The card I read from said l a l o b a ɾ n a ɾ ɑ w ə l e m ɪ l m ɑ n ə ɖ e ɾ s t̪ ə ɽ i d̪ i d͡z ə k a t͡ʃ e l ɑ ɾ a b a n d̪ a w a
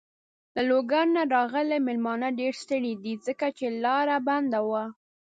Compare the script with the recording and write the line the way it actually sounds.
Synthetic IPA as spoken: l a l o ɡ a ɾ n a ɾ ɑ ɣ ə l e m ɪ l m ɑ n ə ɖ e ɾ s t̪ ə ɽ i d̪ i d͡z ə k a t͡ʃ e l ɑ ɾ a b a n d̪ a w a